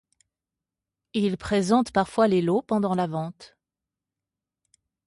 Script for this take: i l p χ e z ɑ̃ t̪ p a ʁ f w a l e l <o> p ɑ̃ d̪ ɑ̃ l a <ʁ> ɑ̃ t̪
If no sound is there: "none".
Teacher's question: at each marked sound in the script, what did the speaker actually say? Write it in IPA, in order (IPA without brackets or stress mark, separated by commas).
o, v